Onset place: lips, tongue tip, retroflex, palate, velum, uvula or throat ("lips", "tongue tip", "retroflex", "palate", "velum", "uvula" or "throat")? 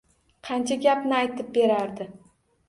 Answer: uvula